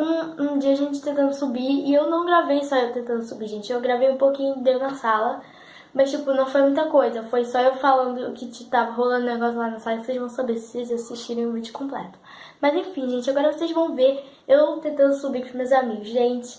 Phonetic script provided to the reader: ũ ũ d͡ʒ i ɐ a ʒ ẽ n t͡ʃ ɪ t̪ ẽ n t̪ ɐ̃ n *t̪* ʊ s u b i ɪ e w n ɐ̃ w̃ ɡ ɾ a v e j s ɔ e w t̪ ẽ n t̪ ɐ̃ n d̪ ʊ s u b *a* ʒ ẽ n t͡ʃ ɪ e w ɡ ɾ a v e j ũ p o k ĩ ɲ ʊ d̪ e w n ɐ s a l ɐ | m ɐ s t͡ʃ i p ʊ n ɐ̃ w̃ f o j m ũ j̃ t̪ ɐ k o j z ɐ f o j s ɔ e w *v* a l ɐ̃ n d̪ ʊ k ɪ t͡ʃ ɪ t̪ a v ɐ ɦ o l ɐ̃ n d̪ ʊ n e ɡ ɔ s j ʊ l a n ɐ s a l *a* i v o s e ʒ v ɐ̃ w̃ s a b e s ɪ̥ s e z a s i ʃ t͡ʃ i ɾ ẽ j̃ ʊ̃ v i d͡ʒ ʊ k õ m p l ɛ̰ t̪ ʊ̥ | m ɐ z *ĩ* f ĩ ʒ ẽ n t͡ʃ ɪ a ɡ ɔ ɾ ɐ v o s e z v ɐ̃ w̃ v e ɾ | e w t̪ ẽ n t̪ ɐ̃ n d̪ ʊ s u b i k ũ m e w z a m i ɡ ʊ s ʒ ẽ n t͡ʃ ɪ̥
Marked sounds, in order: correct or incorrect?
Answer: incorrect, incorrect, incorrect, incorrect, incorrect

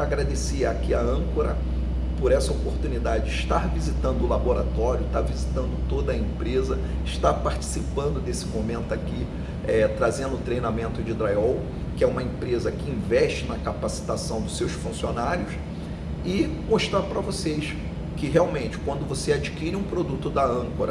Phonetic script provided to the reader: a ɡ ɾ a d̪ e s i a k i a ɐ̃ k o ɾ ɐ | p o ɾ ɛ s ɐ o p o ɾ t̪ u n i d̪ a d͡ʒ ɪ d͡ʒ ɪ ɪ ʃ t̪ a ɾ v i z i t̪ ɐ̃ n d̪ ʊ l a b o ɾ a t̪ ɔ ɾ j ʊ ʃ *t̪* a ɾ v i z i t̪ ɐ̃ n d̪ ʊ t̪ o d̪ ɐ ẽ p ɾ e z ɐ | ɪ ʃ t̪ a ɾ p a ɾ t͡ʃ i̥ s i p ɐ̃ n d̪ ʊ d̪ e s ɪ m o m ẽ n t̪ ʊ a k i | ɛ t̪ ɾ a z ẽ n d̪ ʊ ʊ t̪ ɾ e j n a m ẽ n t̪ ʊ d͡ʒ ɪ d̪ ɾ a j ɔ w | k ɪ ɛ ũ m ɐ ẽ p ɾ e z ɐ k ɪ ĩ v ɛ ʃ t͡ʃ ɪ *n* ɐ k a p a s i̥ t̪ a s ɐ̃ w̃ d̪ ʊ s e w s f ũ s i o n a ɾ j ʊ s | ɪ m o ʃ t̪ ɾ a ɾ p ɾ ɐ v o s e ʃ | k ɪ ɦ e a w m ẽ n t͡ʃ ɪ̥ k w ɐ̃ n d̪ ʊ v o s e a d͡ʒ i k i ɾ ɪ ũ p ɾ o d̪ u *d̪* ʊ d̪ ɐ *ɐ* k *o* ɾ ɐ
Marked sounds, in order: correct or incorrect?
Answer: correct, correct, incorrect, incorrect, correct

